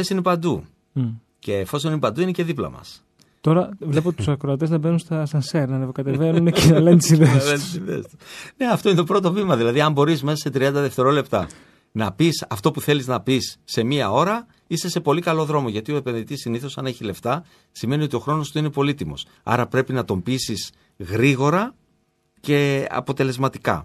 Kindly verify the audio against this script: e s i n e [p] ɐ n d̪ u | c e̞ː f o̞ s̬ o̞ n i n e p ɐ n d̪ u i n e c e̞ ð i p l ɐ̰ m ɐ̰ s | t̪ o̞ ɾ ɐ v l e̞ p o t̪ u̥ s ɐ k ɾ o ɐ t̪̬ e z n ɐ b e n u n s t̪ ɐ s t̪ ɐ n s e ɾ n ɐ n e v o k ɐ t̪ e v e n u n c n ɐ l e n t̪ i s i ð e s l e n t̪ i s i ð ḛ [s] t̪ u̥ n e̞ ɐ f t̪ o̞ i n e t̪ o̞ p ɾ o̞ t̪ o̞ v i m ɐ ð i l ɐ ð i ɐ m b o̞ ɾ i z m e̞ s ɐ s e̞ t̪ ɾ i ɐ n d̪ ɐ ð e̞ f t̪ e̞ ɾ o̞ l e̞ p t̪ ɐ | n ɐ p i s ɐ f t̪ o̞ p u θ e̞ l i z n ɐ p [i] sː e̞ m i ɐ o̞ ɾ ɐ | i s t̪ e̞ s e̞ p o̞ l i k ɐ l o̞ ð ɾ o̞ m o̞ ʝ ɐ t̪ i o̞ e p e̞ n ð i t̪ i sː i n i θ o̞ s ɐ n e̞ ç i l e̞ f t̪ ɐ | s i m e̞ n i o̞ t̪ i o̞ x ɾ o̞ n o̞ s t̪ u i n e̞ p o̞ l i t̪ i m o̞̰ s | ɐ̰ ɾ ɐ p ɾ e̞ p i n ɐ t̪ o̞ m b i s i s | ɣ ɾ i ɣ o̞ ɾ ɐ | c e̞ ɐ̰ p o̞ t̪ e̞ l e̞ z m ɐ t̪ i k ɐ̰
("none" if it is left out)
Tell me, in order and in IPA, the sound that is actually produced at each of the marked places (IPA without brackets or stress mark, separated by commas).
p, s, i